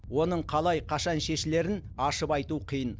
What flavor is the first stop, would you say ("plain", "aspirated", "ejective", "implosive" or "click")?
aspirated